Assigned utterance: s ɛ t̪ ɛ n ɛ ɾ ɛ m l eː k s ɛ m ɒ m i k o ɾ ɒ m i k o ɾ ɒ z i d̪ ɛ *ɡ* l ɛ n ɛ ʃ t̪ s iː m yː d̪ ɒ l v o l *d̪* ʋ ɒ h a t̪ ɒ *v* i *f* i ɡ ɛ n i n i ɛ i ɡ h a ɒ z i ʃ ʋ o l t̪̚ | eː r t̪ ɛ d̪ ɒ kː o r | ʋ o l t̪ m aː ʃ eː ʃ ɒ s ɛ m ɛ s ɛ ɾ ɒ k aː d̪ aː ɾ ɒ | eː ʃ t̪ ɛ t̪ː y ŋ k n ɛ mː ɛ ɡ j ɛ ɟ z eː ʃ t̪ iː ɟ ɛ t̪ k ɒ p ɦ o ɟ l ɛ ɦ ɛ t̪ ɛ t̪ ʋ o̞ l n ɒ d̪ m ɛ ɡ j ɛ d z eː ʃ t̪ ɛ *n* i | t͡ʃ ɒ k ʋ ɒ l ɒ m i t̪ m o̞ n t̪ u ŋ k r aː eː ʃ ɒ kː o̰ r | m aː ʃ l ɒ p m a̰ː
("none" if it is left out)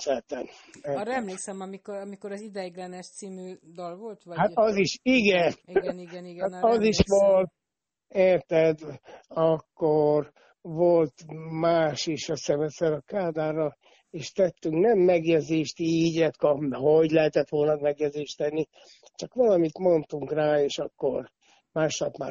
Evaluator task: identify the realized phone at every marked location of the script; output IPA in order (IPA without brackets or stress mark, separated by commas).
ɡ, t̪, z, ʃ, nː